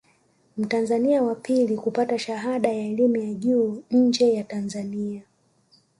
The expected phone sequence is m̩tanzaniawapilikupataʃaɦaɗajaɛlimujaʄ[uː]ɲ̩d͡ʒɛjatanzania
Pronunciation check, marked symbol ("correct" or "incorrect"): correct